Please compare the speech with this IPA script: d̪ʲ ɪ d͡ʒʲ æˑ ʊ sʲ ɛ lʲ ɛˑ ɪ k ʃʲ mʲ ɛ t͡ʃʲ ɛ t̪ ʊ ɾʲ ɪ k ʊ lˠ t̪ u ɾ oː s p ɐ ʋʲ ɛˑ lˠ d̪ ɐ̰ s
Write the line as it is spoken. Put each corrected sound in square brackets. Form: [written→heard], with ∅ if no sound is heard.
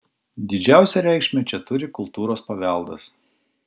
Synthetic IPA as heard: d̪ʲ ɪ d͡ʒʲ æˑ ʊ sʲ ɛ [lʲ→ɾʲ] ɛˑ ɪ k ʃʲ mʲ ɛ t͡ʃʲ ɛ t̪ ʊ ɾʲ ɪ k ʊ lˠ t̪ [u→uː] ɾ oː s p ɐ ʋʲ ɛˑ lˠ d̪ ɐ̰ s